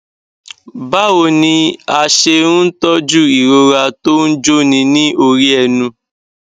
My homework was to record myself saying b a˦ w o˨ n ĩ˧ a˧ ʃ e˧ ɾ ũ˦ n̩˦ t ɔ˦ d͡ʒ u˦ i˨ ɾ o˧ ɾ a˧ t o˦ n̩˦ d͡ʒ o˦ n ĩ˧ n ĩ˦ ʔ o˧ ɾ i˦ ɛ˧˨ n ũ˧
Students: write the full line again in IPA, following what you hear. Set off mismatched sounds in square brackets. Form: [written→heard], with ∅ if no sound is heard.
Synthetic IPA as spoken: b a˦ w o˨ n ĩ˧ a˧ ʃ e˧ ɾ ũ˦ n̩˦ t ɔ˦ d͡ʒ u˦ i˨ ɾ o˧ ɾ a˧ t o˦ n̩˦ d͡ʒ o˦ n ĩ˧ n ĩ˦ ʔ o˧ ɾ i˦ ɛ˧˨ n ũ˧